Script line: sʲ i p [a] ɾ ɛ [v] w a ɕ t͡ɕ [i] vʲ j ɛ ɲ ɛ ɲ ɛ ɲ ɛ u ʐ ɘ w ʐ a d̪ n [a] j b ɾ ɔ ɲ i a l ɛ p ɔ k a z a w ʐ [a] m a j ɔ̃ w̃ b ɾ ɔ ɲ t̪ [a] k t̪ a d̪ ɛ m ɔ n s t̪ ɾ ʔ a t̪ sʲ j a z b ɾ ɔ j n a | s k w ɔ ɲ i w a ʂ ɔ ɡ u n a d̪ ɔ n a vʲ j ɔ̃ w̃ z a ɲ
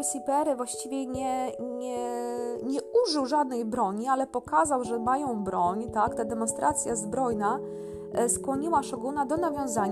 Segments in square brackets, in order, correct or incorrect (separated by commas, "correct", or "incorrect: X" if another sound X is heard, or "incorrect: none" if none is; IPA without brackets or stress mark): incorrect: ɛ, correct, correct, incorrect: ɛ, incorrect: ɛ, correct